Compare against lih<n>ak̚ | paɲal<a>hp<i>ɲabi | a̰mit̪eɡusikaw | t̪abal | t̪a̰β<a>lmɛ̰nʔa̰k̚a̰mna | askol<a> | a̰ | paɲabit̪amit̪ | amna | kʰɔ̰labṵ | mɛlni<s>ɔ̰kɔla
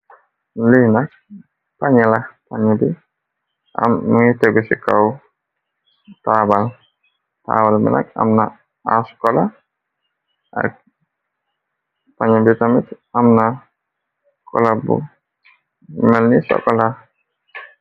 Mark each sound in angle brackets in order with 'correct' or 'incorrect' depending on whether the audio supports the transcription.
correct, correct, incorrect, correct, correct, correct

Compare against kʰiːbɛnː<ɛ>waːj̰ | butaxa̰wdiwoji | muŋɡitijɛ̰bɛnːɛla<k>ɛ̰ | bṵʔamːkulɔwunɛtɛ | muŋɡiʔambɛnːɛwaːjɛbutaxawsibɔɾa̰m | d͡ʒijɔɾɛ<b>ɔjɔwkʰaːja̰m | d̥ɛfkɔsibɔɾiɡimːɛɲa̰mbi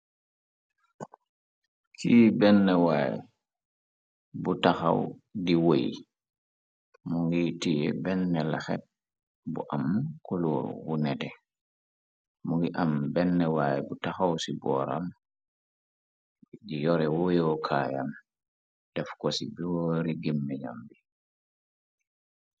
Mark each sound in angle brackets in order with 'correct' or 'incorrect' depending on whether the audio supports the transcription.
correct, incorrect, incorrect

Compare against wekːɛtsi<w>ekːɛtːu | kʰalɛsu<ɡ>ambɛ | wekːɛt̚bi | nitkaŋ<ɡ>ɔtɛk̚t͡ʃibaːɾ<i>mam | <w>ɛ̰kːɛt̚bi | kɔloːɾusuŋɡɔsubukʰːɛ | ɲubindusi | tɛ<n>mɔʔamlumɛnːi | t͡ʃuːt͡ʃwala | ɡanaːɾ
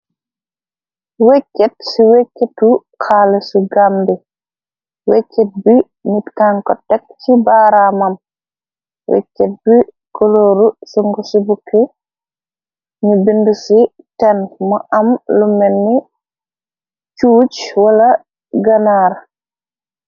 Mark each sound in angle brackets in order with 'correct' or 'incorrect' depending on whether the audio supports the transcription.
correct, correct, incorrect, incorrect, correct, correct

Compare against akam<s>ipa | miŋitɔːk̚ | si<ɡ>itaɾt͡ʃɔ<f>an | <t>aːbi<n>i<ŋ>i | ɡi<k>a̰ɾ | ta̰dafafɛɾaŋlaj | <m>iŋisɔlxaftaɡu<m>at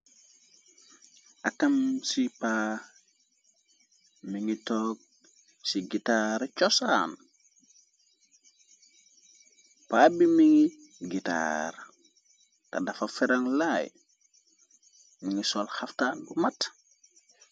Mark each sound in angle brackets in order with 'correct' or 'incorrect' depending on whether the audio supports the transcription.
correct, correct, incorrect, incorrect, incorrect, correct, incorrect, correct, correct

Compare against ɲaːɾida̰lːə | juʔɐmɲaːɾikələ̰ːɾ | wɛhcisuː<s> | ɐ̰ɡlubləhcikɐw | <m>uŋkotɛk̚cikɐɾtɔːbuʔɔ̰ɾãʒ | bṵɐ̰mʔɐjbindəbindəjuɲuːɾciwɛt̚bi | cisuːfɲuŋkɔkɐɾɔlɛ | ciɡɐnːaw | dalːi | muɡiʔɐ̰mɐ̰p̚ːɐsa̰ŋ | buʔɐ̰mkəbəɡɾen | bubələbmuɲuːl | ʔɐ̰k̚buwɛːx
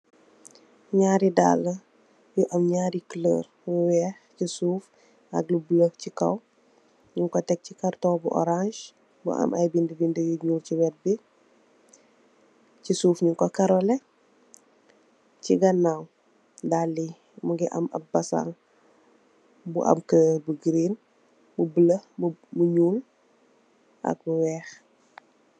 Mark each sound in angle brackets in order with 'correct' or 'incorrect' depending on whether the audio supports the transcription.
incorrect, incorrect

